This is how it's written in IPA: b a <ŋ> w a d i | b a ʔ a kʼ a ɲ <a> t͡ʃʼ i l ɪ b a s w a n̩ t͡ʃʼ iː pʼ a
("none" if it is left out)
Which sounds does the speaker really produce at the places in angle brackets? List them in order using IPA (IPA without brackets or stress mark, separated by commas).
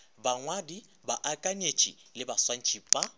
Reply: ŋ, e